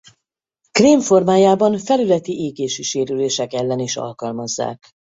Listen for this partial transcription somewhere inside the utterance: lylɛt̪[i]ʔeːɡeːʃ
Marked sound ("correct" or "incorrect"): correct